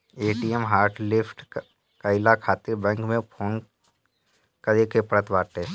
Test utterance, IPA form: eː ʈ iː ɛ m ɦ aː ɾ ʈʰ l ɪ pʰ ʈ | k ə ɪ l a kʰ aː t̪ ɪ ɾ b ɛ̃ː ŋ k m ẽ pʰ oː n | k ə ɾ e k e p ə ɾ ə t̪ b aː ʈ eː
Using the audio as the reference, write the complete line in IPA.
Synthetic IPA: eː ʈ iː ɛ m ɦ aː ɾ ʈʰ l ɪ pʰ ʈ | k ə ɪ l a kʰ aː t̪ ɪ ɾ b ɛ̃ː ŋ k m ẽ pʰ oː n | k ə ɾ e k e p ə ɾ ə t̪ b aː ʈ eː